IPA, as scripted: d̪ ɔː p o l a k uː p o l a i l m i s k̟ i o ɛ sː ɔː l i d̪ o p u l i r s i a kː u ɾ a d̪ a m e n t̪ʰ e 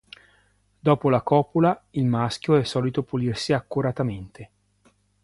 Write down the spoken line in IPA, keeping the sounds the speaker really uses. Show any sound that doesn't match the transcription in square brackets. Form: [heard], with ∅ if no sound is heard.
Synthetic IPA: d̪ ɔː p o l a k [ɔː] p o l a i l m [a] s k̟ [j] o ɛ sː ɔː l i [t̪] o p u l i r s i a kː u ɾ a [t̪] a m e n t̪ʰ e